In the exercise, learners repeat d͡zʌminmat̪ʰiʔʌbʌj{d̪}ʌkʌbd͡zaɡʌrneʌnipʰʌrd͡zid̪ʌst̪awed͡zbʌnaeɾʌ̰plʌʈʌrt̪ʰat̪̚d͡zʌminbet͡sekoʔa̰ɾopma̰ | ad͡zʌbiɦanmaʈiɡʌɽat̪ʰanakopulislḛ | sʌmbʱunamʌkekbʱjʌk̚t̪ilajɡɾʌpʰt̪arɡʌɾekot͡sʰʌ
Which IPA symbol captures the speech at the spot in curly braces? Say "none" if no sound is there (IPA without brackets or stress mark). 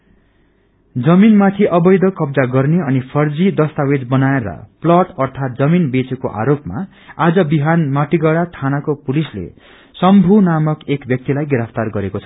d̪